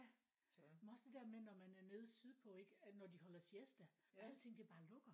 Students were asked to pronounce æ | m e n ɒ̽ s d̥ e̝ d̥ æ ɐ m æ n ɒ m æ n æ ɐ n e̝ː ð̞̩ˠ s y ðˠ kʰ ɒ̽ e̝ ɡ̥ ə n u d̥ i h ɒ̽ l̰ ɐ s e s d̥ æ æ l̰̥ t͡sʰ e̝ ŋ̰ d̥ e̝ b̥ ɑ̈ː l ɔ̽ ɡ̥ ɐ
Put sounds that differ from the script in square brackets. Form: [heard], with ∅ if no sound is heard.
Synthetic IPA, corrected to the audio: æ | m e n ɒ̽ s d̥ e̝ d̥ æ ɐ m [e] n ɒ m æ n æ ɐ n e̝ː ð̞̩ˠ s y ðˠ [pʰ] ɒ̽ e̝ ɡ̥ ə n [ɒ] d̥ i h ɒ̽ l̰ ɐ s e s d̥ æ æ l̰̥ t͡sʰ e̝ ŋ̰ d̥ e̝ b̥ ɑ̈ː l ɔ̽ ɡ̥ ɐ